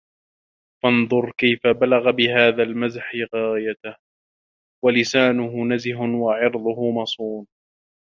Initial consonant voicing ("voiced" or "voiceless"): voiceless